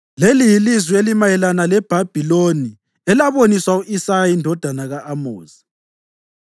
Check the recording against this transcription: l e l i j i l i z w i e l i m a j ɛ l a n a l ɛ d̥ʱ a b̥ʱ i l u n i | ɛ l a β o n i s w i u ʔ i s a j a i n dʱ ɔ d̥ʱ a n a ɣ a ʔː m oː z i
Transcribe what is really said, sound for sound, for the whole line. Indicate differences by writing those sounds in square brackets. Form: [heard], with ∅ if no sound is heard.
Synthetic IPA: l e l i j i l i z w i e l i m a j ɛ l a n a l ɛ [b̥ʱ] a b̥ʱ i l [o] n i | ɛ l a β o n i s w [a] u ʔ i s a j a i n dʱ ɔ d̥ʱ a n a ɣ a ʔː m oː z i